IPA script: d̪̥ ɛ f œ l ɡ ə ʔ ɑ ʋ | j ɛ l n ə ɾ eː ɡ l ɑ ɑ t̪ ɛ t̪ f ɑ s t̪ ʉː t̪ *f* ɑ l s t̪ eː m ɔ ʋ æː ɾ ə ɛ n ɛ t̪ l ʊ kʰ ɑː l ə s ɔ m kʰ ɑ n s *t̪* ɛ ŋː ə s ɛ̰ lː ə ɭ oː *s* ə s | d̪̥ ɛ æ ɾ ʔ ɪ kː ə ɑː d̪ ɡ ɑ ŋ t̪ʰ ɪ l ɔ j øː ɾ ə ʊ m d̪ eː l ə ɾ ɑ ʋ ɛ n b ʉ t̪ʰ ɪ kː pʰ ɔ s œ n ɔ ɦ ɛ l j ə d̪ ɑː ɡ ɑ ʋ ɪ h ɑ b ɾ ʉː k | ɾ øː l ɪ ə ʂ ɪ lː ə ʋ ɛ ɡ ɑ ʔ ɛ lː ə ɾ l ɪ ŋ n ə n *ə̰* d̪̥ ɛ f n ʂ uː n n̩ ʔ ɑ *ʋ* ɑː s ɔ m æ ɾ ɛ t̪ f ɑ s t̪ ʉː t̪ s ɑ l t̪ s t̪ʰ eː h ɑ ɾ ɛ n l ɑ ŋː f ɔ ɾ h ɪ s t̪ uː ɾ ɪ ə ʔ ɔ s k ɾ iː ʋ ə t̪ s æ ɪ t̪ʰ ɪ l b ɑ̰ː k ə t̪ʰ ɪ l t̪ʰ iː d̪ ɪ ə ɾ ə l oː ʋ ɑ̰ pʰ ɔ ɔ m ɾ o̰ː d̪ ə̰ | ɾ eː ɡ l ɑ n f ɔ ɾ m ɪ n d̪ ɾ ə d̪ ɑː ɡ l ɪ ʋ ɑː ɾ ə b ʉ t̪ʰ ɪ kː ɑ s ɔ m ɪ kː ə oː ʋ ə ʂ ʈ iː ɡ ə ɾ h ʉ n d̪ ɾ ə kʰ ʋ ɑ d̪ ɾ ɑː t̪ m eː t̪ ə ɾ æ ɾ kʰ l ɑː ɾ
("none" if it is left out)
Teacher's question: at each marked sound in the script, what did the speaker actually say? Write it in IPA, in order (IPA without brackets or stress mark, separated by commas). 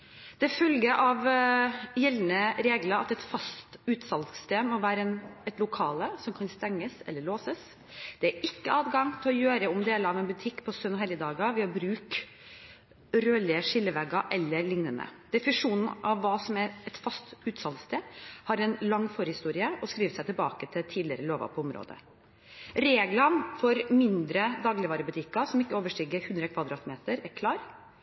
s, t̪, s, ə̰, ʋː